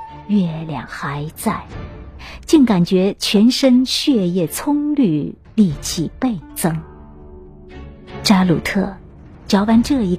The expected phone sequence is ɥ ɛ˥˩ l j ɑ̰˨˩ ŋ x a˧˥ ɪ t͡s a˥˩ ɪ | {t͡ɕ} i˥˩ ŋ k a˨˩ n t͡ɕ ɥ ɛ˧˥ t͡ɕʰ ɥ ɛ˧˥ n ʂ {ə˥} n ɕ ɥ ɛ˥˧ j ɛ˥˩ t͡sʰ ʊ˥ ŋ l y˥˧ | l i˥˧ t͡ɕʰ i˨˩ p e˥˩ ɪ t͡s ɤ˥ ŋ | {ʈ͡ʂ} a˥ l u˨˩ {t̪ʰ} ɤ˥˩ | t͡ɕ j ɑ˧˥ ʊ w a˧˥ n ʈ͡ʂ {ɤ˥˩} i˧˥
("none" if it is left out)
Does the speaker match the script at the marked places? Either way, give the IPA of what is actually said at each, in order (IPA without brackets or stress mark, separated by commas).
t͡ɕ, ə˥, ʈ͡ʂ, t̪ʰ, ɤ˥˩